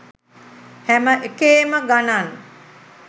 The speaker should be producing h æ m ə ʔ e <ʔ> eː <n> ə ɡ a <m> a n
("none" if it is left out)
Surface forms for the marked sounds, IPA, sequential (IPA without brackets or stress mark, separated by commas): k, m, n